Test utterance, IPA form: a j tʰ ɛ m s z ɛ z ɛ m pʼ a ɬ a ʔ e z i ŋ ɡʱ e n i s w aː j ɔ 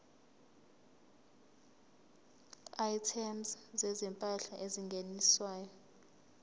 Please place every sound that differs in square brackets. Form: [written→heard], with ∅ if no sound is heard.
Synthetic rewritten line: a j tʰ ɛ m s z ɛ z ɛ m pʼ a ɬ a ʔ e z i ŋ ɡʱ e n i s w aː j ɔ